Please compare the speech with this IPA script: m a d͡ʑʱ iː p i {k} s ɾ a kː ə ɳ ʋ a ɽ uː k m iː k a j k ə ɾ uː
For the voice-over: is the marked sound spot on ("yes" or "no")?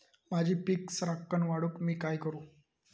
yes